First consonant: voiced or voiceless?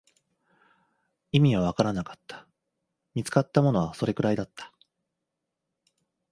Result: voiced